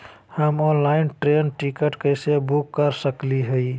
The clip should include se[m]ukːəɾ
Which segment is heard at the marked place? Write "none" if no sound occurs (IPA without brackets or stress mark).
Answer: b